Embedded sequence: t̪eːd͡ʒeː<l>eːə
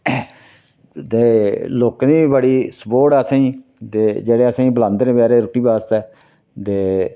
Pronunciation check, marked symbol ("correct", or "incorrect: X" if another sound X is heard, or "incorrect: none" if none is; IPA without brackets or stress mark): incorrect: ɽ